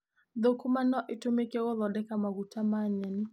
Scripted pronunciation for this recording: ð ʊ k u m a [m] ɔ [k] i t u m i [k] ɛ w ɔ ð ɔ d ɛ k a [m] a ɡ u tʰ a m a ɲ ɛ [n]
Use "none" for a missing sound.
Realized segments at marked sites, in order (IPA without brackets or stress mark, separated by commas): n, ʔ, k, m, n